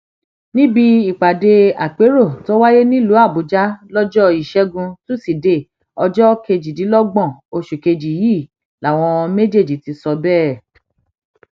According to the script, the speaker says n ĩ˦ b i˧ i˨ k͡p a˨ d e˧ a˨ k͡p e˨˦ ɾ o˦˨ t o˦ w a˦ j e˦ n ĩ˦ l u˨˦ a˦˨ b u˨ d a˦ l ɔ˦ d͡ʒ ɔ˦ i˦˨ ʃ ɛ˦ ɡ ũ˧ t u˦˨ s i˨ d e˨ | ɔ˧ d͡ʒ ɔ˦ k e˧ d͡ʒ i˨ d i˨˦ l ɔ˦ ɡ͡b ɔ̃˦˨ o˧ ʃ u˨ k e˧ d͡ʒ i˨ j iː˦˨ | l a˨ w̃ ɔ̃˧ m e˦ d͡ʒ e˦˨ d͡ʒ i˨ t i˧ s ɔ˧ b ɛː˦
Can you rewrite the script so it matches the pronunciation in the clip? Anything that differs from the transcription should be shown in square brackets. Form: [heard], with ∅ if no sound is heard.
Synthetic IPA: n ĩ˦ b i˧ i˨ k͡p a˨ d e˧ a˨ k͡p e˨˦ ɾ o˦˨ t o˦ w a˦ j e˦ n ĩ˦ l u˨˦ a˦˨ b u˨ [d͡ʒ] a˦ l ɔ˦ d͡ʒ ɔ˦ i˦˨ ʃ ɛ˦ ɡ ũ˧ t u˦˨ s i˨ d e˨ | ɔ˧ d͡ʒ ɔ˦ k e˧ d͡ʒ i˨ d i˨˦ l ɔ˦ ɡ͡b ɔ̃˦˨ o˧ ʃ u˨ k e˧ d͡ʒ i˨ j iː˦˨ | l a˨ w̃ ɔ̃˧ m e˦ d͡ʒ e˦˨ d͡ʒ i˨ t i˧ s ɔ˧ b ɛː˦